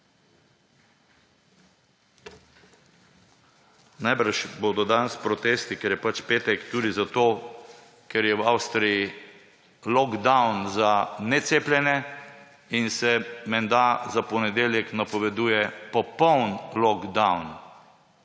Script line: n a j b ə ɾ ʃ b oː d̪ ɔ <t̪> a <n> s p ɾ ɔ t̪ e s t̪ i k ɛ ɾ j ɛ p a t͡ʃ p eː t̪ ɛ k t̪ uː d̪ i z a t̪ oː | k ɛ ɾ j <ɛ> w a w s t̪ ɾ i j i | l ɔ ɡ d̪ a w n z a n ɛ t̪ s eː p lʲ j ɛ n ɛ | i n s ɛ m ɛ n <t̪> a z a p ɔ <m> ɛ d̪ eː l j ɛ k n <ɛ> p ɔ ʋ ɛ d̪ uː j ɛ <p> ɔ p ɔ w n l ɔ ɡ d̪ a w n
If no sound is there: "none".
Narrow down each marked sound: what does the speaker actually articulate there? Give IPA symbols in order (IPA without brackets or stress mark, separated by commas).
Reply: d̪, n, ɛ, d̪, n, a, p